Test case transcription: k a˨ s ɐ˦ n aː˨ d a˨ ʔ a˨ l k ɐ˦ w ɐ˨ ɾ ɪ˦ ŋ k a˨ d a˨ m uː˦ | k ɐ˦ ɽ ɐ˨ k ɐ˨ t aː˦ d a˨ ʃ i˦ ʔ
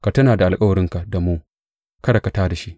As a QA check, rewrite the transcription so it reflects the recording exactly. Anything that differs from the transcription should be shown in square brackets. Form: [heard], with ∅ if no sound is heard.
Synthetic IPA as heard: k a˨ [t] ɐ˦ n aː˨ d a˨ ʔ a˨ l [kʼ] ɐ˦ w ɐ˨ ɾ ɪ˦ ŋ k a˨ d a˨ m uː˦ | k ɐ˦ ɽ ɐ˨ k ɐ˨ t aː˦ d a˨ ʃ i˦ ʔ